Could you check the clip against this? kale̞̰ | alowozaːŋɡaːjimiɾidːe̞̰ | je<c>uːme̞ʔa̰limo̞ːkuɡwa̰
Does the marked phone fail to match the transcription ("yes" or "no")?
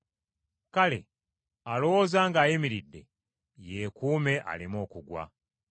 yes